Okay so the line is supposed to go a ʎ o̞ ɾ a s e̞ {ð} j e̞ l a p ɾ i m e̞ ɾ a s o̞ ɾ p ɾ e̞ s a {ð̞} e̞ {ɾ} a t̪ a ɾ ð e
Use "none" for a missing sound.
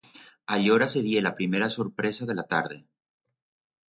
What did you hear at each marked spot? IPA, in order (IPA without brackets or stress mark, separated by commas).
ð, ð̞, l